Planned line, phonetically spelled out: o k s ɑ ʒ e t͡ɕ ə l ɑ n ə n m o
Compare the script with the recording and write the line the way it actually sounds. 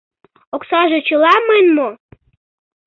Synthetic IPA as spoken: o k s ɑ ʒ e t͡ɕ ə l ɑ m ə n m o